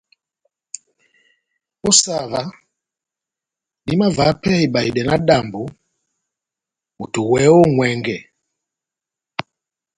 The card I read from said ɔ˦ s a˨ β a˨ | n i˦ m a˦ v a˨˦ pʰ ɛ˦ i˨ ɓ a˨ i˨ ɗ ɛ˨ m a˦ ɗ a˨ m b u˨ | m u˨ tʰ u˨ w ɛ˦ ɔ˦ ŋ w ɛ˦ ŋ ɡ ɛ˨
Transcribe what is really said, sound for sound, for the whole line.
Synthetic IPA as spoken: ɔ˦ s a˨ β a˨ | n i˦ m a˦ v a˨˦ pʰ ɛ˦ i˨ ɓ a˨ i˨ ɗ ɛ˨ n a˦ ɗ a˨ m b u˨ | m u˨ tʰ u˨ w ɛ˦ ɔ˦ ŋ w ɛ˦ ŋ ɡ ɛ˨

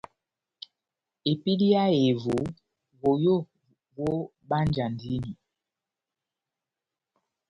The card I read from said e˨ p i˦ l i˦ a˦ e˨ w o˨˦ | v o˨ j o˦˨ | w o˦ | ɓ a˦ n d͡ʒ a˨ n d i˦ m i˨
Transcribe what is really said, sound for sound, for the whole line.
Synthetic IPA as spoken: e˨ p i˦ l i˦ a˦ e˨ v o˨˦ | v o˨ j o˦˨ | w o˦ | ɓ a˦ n d͡ʒ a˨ n d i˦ n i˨

